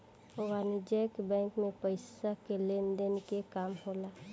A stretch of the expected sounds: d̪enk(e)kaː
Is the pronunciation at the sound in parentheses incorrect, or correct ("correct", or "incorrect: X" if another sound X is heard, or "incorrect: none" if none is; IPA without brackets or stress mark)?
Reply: correct